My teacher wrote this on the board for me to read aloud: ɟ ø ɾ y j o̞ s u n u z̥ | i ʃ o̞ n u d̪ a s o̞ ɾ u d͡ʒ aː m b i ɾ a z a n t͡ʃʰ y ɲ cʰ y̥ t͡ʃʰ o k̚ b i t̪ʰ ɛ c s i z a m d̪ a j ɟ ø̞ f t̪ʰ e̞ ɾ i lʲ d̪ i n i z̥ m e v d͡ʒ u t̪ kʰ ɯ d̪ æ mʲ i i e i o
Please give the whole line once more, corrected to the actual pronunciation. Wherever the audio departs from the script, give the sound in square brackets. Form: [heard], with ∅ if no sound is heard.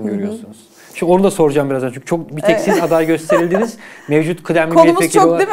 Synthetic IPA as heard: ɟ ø ɾ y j o̞ s u n u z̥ | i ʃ o̞ n u d̪ a s o̞ ɾ u d͡ʒ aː m b i ɾ a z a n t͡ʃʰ y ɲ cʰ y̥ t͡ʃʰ o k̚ b i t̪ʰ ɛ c s i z a [∅] d̪ a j ɟ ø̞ [s] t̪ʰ e̞ ɾ i lʲ d̪ i n i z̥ m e v d͡ʒ u t̪ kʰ ɯ d̪ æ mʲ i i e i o